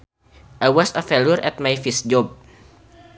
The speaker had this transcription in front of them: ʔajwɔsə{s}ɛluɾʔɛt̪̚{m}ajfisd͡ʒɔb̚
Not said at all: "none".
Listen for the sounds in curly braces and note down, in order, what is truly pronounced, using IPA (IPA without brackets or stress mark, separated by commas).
f, m